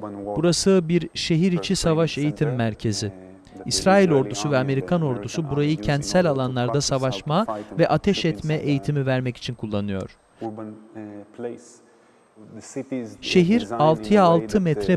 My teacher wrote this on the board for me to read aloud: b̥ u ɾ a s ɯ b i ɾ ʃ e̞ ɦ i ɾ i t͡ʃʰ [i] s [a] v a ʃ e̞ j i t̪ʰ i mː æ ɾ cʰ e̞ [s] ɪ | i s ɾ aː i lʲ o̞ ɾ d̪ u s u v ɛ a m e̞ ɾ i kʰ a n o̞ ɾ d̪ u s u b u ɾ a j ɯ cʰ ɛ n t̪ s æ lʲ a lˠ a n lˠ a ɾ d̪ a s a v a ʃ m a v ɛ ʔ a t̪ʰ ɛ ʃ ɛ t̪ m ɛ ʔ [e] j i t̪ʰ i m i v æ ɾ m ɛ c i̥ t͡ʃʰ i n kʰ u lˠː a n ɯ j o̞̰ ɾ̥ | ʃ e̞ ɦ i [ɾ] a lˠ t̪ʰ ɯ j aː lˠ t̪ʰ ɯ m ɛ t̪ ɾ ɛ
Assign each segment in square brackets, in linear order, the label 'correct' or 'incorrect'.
correct, correct, incorrect: z, correct, correct

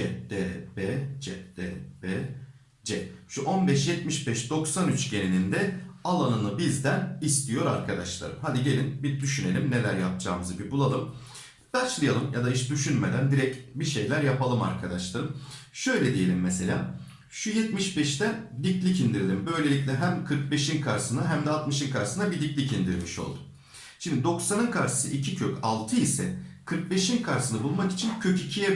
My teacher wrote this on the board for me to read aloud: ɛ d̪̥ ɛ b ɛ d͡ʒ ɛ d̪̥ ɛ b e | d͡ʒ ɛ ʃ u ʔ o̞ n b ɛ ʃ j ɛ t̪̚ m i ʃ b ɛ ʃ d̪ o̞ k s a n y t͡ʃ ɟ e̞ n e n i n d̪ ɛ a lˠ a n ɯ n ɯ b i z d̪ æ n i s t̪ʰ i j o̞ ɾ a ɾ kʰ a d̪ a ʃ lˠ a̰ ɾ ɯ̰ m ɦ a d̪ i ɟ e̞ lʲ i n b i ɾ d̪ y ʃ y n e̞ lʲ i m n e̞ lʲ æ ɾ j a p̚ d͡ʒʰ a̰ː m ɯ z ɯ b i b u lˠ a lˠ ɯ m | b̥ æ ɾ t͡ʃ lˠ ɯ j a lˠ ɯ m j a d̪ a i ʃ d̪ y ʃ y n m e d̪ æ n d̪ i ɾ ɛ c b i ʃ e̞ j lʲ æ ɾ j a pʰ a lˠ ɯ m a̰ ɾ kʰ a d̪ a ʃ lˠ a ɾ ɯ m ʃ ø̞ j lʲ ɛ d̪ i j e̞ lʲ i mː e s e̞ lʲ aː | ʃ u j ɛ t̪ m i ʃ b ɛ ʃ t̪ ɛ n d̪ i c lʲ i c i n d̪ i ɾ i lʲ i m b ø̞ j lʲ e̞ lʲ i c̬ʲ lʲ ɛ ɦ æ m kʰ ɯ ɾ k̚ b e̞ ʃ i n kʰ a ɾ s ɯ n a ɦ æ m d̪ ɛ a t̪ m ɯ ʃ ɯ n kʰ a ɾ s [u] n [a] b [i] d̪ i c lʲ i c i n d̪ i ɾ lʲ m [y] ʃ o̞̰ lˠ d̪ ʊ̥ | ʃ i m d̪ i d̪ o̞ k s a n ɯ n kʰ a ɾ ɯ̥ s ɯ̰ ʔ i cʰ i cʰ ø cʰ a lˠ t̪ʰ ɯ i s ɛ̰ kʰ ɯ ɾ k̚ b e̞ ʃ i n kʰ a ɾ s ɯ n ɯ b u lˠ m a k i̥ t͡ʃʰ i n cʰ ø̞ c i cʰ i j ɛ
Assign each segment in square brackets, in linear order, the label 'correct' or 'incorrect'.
incorrect: ɯ, correct, correct, incorrect: i

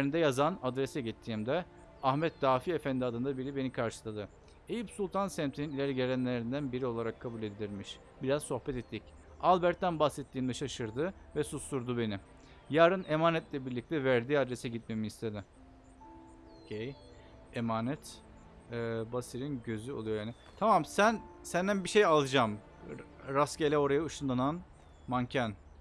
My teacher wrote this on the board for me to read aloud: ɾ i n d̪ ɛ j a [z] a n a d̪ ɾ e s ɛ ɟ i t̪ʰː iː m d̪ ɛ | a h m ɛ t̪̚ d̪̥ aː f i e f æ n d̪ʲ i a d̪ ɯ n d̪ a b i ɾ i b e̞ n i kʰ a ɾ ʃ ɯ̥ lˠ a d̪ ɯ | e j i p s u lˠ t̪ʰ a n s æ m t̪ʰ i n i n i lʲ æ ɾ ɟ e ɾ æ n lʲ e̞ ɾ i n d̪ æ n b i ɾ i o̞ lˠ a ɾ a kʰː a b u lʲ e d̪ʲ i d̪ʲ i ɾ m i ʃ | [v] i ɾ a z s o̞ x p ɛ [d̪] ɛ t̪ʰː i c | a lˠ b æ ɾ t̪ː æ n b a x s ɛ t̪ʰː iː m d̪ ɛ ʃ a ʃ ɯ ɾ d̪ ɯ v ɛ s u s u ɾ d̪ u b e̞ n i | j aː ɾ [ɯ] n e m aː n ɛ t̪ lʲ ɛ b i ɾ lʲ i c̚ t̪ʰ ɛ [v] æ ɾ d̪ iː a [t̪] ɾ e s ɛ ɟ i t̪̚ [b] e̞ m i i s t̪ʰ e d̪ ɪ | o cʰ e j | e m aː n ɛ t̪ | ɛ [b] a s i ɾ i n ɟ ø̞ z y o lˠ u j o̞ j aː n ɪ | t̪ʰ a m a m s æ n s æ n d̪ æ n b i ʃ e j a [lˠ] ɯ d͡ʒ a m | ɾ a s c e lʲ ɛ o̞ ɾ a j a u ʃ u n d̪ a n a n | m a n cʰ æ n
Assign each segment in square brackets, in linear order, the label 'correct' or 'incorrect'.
correct, incorrect: b, incorrect: t̪, correct, correct, incorrect: d̪, incorrect: m, correct, correct

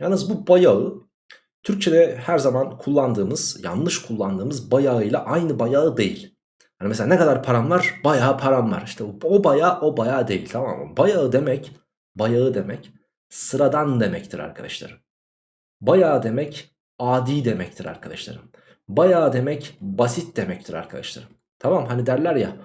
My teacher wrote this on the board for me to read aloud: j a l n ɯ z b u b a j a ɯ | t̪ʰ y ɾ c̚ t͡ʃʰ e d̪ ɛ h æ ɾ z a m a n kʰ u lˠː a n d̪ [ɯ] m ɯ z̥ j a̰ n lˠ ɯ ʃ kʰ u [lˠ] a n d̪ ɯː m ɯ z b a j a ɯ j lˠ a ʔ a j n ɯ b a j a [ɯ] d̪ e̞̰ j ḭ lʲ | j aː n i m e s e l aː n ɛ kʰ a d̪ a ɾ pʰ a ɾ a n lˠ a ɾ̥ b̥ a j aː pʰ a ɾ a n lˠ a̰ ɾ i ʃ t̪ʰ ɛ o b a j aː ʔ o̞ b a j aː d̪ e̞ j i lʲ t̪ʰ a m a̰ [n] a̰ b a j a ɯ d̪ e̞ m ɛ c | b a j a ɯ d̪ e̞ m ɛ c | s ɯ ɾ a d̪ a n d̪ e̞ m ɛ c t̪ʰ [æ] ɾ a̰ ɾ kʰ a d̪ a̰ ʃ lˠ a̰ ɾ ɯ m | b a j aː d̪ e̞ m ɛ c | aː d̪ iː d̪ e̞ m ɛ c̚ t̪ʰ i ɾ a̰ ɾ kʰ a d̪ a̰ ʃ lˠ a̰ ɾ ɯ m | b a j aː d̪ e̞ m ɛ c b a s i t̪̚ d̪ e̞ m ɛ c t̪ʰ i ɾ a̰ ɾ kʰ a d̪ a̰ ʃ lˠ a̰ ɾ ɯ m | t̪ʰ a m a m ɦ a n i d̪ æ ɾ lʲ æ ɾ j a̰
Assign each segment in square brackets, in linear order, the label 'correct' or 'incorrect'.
incorrect: ɯː, incorrect: lˠː, correct, incorrect: m, incorrect: i

